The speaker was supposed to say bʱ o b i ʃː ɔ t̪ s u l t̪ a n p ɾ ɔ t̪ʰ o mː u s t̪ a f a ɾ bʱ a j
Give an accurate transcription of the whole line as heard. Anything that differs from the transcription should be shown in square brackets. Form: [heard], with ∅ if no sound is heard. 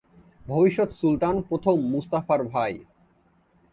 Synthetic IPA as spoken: bʱ o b i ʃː [o] t̪ s u l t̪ a n p ɾ [o] t̪ʰ o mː u s t̪ a f a ɾ bʱ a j